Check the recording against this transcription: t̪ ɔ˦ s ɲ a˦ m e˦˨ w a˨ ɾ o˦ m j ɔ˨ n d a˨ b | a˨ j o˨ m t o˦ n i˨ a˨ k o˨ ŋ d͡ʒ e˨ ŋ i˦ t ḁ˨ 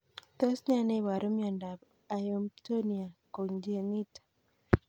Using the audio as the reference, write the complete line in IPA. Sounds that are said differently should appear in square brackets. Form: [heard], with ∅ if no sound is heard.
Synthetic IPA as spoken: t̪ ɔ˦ s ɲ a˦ [n] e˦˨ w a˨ ɾ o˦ m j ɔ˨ n d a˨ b | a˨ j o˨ m t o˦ n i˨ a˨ k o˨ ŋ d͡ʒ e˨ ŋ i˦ t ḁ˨